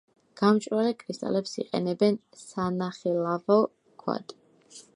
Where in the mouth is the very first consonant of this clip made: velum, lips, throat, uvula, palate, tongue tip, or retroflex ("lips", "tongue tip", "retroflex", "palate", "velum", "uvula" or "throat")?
velum